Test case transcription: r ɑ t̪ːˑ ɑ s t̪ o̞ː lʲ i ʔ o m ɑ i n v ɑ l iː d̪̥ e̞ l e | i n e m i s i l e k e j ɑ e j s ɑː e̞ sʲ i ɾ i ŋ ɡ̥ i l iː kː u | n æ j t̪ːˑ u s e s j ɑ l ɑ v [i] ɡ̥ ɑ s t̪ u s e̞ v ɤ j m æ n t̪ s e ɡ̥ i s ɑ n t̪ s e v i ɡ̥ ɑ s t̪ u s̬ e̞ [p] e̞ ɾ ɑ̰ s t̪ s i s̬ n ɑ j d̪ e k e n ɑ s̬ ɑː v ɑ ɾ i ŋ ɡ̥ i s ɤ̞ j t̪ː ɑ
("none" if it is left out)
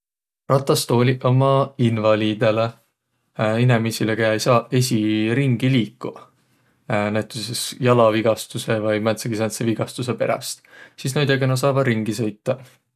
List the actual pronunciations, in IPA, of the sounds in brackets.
i, p

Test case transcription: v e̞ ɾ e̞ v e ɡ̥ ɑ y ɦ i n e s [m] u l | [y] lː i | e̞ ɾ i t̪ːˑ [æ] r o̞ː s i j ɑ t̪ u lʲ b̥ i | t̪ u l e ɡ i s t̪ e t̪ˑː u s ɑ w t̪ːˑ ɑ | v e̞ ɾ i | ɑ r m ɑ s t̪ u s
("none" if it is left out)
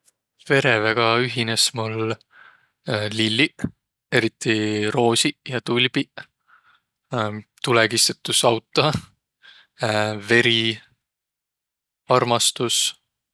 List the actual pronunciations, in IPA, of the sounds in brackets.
m, i, i

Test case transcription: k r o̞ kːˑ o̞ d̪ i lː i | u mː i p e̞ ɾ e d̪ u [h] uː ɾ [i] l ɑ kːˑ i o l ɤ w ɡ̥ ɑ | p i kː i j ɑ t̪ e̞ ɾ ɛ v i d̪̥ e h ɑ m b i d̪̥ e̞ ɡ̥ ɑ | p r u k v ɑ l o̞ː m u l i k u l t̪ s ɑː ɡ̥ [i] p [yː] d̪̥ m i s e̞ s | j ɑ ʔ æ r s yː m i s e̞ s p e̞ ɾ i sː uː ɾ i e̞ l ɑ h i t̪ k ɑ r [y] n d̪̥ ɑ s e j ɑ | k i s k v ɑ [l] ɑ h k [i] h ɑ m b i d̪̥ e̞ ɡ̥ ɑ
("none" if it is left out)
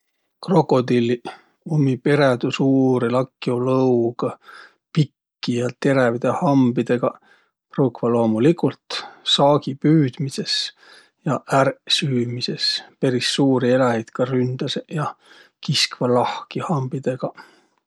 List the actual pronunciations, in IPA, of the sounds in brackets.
s, i, i, yː, y, l, i

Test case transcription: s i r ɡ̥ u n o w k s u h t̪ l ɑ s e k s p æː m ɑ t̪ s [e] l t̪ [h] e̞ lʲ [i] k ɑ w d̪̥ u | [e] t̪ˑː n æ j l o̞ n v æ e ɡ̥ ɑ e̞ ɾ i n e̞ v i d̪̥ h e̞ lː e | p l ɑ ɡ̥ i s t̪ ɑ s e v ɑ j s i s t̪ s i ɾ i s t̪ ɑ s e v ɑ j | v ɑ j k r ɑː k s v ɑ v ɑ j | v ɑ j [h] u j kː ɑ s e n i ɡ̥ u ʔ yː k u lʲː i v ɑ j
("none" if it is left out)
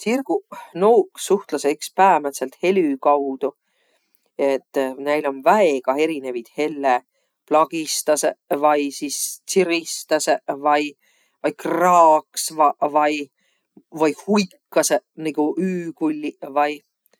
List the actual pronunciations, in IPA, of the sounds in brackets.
e, h, y, e, h

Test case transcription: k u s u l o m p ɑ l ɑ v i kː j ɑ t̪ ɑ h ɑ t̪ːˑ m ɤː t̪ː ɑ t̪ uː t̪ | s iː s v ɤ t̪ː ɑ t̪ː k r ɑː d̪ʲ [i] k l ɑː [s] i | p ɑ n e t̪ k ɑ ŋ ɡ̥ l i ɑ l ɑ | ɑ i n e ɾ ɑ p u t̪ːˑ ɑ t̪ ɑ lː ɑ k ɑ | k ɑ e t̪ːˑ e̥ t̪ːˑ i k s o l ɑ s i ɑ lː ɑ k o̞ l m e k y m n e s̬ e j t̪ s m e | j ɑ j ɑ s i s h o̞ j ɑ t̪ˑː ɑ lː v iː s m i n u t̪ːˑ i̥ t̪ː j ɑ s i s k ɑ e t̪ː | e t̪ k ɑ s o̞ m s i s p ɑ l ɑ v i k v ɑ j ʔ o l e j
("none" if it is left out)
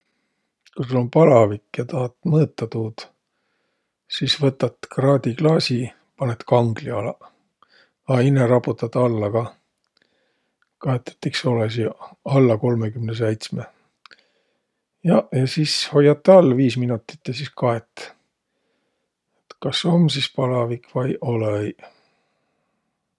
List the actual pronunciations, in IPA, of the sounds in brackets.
i, s

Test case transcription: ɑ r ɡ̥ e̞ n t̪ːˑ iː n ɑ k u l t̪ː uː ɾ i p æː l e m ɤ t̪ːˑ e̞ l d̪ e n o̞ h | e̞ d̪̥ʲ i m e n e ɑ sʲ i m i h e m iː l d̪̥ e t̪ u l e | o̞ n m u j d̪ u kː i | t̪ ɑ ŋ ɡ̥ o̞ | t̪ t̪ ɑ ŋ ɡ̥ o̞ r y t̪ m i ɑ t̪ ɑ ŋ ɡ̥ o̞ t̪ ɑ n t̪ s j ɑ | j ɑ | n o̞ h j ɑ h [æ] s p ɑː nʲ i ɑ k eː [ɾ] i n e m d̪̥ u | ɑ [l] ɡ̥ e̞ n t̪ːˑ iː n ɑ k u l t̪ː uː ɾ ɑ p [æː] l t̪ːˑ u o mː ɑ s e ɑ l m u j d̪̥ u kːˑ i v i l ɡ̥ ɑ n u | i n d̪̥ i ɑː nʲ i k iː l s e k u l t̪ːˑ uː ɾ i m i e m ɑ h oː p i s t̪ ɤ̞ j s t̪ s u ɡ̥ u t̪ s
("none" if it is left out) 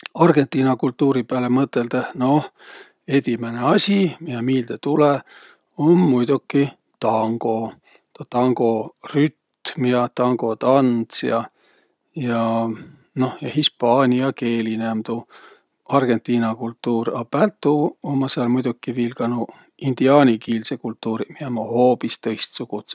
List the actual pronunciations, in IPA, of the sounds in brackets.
i, l, r, æ

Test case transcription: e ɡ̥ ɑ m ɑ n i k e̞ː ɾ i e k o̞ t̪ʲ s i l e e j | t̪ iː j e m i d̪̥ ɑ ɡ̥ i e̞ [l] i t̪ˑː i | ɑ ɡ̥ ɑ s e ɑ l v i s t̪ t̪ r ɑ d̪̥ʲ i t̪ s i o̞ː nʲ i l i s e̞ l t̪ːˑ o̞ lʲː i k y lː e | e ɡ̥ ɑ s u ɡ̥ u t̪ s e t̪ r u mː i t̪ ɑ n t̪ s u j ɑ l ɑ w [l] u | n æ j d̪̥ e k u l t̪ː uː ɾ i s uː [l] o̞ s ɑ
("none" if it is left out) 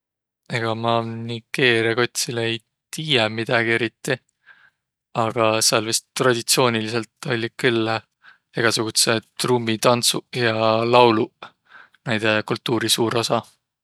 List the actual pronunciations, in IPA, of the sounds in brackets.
ɾ, l, ɾ

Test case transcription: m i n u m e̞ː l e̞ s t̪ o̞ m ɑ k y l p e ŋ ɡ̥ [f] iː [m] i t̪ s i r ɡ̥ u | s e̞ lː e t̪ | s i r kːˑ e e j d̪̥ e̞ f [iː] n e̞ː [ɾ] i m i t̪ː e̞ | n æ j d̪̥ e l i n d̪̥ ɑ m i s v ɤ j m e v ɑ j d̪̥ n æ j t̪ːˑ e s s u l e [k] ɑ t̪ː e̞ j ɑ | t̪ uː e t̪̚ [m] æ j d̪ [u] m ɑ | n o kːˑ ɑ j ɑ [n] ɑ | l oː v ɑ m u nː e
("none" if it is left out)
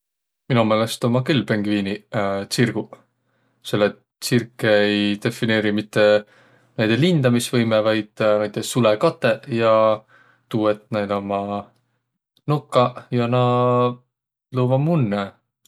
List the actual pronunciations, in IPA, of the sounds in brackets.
v, n, i, ɾ, k, n, o, n

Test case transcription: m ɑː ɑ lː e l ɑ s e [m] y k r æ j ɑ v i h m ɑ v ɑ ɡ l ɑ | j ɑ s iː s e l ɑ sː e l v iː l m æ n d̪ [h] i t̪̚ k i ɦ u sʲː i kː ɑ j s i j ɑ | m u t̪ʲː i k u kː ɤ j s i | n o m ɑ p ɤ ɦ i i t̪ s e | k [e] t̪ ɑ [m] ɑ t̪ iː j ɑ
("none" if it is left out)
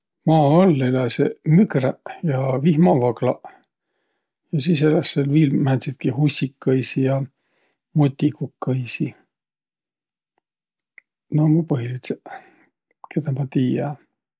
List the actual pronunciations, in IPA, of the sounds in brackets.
m, s, e, m

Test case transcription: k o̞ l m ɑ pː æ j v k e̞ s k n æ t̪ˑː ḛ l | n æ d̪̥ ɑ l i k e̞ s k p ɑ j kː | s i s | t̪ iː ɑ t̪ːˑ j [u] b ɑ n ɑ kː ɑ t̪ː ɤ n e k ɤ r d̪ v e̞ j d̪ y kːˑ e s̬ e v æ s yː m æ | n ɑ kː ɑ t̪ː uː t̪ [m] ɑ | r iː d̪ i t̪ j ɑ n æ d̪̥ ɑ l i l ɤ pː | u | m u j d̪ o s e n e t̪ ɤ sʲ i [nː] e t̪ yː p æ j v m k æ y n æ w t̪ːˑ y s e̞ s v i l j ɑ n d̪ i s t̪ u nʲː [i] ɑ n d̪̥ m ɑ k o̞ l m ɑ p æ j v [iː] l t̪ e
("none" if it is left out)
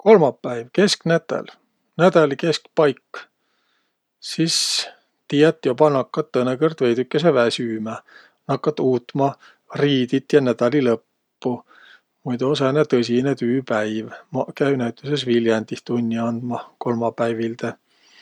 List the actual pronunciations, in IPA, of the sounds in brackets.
o, m, n, i, i

